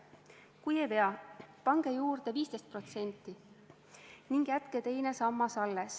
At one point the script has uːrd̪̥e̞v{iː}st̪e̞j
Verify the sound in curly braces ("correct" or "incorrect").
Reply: correct